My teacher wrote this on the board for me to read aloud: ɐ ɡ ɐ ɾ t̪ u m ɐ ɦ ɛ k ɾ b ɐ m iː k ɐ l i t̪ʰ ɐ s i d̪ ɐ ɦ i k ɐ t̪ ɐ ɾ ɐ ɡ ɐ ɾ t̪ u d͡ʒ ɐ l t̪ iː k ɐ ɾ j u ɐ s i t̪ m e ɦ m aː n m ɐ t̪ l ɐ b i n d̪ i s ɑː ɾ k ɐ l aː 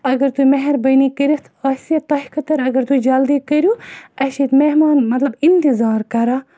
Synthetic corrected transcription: ɐ ɡ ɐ ɾ t̪ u m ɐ ɦ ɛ ɾ b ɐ n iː k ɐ ɾ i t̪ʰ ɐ s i t̪ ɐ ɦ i k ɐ t̪ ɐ ɾ ɐ ɡ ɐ ɾ t̪ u d͡ʒ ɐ l d̪ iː k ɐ ɾ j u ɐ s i t̪ m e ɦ m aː n m ɐ t̪ l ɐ b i n t̪ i z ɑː ɾ k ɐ ɾ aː